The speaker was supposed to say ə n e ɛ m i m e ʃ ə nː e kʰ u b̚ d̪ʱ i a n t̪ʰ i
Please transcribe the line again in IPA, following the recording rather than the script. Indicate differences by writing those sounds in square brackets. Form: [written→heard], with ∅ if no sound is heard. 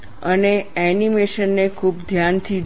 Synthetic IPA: ə n e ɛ [m→n] i m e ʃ ə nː e kʰ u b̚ d̪ʱ [i→j] a n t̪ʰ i